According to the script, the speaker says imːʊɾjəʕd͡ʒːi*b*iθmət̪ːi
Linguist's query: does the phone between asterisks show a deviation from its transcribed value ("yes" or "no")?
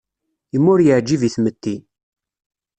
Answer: yes